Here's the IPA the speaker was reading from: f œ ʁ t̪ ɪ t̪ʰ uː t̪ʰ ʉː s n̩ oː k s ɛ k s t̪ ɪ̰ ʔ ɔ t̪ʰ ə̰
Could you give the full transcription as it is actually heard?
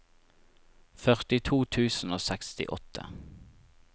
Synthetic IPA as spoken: f œ ʁ t̪ ɪ t̪ʰ uː t̪ʰ ʉː s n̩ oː s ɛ k s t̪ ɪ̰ ʔ ɔ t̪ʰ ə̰